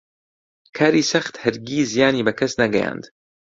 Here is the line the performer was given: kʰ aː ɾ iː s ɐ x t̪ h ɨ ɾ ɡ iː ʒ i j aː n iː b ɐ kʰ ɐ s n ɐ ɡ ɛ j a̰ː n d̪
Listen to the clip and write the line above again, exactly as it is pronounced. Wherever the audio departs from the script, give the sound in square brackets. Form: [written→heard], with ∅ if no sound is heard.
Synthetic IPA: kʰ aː ɾ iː s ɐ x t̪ h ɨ ɾ ɡ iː [ʒ→z] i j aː n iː b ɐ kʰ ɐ s n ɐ ɡ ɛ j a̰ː n d̪